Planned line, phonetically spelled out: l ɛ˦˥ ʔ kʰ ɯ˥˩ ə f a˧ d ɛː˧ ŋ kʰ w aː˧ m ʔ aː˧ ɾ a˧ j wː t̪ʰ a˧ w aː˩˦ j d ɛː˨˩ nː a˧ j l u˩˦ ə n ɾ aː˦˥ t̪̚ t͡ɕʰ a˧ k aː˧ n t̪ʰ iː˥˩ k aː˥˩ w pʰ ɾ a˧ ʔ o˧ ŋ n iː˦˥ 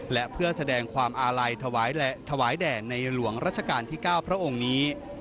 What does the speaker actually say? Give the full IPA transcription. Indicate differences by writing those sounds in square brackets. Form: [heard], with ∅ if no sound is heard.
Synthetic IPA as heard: l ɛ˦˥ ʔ [pʰ] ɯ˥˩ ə [s] a˧ d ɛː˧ ŋ kʰ w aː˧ m ʔ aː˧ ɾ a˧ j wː t̪ʰ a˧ w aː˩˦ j d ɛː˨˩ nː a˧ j l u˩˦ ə [ŋ] ɾ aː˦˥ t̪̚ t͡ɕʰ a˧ k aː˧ n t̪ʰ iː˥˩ k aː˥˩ w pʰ ɾ [a˦˥] ʔ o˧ ŋ n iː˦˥